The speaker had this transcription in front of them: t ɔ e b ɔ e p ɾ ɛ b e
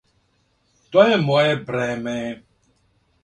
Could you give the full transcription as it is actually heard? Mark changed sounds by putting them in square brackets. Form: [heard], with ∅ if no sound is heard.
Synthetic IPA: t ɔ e [m] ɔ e [b] ɾ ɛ [m] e